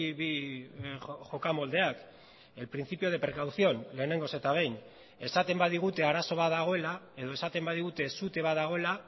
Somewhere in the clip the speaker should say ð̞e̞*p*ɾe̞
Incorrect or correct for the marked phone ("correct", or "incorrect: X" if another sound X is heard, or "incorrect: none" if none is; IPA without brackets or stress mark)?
correct